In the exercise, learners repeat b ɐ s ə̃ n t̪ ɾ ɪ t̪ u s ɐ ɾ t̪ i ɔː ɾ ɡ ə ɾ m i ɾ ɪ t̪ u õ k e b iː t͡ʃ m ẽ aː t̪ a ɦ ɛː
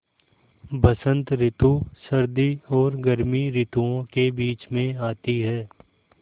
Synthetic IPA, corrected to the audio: b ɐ s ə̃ n t̪ ɾ ɪ t̪ u s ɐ ɾ d̪ i ɔː ɾ ɡ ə ɾ m i ɾ ɪ t̪ u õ k e b iː t͡ʃ m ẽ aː t̪ i ɦ ɛː